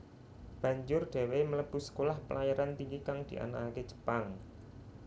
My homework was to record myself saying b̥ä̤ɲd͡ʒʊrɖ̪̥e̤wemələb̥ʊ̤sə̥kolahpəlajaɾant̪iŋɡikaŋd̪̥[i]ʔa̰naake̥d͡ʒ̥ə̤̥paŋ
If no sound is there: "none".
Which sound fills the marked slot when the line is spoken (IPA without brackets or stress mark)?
i